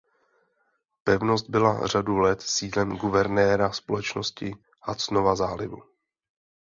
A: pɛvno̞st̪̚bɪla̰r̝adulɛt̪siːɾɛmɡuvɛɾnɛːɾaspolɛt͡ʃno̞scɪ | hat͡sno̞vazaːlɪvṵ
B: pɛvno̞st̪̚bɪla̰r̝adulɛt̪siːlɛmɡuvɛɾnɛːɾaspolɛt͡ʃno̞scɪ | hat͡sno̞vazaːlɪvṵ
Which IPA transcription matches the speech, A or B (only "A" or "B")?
B